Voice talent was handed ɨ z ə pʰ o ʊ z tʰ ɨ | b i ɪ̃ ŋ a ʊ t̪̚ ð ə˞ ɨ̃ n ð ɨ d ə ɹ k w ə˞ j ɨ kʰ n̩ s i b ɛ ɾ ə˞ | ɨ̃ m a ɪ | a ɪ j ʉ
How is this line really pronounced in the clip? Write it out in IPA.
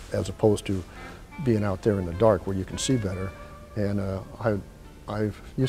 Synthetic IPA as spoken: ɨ z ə pʰ o ʊ z tʰ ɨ | b i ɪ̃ ŋ a ʊ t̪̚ ð ə˞ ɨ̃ n ð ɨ d ɑ ɹ k w ə˞ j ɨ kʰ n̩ s i b ɛ ɾ ə˞ | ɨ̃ n a ɪ | a ɪ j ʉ